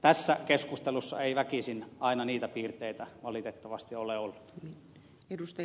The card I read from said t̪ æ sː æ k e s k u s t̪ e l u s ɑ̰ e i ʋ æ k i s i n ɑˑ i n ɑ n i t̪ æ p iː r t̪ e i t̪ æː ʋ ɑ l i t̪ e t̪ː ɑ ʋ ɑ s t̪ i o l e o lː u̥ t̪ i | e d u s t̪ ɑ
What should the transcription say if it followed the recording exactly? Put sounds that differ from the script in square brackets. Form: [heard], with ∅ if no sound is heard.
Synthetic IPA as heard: t̪ æ sː æ k e s k u s t̪ e l u [sː] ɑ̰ e i ʋ æ k i s i n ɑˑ i n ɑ n [iː] t̪ æ p iː r t̪ e i t̪ [æ] ʋ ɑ l i t̪ e t̪ː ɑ ʋ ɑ s t̪ i o l e o lː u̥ t̪ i | e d u s t̪ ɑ